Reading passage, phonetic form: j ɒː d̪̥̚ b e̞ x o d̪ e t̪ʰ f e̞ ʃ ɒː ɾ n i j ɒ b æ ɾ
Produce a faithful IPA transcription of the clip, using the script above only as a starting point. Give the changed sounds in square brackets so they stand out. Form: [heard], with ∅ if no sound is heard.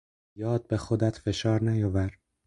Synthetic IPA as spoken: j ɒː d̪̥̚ b e̞ x o d̪ [æ] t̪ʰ f e̞ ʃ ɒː ɾ n [æ] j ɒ [v] æ ɾ